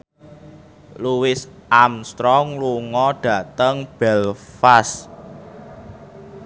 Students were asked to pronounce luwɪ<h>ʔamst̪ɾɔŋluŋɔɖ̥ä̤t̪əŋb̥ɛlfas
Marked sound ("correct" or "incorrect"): incorrect